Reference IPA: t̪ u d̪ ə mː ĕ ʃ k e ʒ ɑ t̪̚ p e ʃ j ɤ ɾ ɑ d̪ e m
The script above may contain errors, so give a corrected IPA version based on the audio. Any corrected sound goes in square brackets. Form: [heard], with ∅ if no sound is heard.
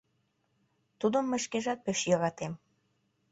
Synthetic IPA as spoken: t̪ u d̪ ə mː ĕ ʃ k e ʒ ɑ t̪̚ p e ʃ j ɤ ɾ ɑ [t̪] e m